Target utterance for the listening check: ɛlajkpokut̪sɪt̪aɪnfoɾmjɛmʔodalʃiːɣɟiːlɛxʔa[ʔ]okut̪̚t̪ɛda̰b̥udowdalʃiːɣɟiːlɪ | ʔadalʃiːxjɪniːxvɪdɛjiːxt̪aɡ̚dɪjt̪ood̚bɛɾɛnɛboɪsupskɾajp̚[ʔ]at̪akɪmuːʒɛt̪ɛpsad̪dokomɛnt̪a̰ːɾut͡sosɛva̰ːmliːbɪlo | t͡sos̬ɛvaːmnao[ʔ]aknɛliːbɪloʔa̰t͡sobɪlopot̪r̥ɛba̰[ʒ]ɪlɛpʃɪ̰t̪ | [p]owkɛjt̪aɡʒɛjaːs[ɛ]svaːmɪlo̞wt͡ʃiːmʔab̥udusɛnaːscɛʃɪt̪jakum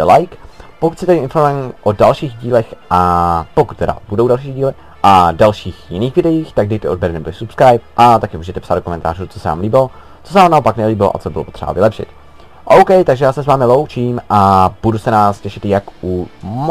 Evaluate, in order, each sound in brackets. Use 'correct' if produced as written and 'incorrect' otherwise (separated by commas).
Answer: incorrect, correct, incorrect, incorrect, incorrect, correct